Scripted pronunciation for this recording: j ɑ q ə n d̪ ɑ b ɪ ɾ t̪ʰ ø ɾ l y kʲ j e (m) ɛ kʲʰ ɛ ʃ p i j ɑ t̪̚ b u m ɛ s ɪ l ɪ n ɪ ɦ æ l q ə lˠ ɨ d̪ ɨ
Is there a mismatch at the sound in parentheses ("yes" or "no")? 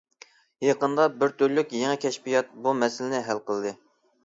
yes